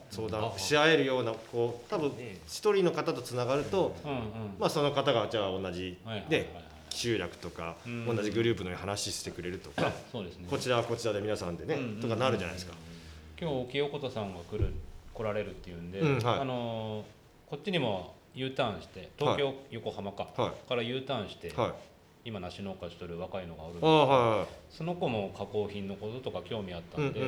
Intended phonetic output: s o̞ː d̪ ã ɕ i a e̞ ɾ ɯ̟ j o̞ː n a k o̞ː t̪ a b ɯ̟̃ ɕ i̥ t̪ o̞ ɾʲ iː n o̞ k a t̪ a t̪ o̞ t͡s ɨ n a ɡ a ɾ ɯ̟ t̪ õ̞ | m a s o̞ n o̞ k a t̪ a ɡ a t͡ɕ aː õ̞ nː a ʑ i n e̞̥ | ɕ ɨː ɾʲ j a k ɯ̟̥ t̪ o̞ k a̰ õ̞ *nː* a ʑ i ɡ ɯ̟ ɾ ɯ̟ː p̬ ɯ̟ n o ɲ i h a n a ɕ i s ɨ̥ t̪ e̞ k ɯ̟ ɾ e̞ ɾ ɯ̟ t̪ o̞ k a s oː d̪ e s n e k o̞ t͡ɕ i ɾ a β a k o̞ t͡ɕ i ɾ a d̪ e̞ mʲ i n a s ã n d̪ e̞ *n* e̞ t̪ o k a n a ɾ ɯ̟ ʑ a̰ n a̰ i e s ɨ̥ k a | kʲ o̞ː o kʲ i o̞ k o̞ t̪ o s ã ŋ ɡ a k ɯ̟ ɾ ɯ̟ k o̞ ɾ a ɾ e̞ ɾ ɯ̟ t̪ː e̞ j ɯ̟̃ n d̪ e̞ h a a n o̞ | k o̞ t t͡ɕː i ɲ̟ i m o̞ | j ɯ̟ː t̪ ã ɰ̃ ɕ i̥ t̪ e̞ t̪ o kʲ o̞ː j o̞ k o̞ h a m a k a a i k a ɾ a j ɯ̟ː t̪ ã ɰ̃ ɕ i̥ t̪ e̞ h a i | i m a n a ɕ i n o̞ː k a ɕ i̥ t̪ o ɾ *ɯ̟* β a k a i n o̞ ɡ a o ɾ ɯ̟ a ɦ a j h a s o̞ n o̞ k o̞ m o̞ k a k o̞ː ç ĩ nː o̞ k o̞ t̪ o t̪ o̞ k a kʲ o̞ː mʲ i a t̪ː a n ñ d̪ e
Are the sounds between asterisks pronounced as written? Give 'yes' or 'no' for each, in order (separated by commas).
yes, yes, yes